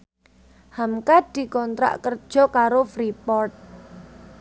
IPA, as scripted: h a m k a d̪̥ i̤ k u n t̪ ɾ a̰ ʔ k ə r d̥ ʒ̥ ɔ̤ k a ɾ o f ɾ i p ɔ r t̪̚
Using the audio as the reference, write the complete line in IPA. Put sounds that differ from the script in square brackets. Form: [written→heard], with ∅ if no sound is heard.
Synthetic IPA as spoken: h a m k a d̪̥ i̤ k [u→ɔ] n t̪ ɾ a̰ ʔ k ə r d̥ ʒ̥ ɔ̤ k a ɾ o f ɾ i p ɔ r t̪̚

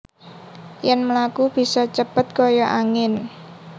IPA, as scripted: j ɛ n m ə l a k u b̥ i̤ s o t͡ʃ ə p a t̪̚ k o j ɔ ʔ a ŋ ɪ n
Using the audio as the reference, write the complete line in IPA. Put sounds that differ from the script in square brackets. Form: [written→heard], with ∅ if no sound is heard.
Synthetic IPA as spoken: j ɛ n m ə l a k u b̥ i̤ s [o→ɔ] t͡ʃ ə p [a→ə] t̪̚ k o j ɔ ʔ a ŋ ɪ n

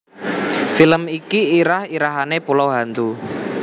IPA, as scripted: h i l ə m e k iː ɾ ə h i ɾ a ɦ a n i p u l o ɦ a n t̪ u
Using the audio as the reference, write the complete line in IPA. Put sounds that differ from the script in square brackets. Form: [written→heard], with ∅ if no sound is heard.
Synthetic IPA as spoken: [h→f] i l ə m [e→i] k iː ɾ [ə→a] h i ɾ a ɦ a n [i→e] p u l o ɦ a n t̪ u

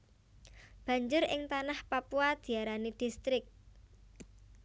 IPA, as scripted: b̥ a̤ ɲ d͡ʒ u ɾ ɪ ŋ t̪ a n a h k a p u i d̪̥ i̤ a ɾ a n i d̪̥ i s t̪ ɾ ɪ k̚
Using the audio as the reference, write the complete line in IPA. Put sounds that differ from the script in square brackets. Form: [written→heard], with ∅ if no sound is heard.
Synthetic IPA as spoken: b̥ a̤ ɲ d͡ʒ [u→ʊ] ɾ ɪ ŋ t̪ a n a h [k→p] a p u [i→a] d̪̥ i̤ a ɾ a n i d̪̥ i s t̪ ɾ ɪ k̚

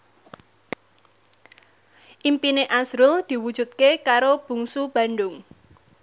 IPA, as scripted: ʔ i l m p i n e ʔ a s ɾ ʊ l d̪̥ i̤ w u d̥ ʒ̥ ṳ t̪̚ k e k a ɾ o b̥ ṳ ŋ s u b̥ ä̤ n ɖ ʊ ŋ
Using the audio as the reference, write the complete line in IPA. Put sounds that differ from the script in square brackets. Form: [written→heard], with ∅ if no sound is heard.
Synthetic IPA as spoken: ʔ i [l→∅] m p i n e ʔ a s ɾ ʊ l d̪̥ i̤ w u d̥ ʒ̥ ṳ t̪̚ k e k a ɾ o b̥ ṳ ŋ s u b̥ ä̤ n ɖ ʊ ŋ

